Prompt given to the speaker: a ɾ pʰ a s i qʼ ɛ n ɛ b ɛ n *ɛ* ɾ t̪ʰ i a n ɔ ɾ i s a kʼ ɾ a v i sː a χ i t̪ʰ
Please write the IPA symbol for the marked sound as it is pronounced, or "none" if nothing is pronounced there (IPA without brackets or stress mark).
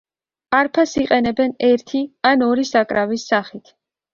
ɛ